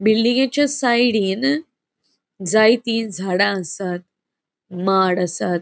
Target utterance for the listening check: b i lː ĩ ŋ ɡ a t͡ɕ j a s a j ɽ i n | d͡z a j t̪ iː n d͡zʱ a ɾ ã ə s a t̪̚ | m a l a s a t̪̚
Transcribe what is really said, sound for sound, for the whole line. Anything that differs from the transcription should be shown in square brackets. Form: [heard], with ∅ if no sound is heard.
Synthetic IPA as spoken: b i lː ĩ ŋ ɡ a t͡ɕ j a s a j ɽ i n | d͡z a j t̪ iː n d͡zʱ a [ɽ] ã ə s a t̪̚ | m a [ɽ] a s a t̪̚